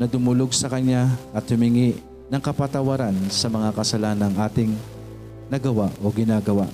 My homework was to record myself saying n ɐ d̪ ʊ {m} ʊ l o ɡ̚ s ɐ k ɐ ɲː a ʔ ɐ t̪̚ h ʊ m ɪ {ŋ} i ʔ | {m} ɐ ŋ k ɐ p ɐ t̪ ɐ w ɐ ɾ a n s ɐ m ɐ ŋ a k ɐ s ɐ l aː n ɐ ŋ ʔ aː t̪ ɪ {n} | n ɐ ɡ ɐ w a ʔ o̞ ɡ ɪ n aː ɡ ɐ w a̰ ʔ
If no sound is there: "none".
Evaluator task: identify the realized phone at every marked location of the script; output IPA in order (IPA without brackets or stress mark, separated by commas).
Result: m, ŋ, n, ŋ